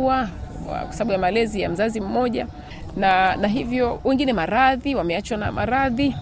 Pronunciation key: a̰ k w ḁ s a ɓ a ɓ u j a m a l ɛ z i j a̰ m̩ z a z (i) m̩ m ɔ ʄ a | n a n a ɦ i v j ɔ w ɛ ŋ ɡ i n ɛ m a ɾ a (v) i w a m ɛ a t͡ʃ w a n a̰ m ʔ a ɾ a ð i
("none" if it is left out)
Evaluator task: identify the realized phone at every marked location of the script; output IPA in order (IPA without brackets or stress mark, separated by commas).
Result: i, ð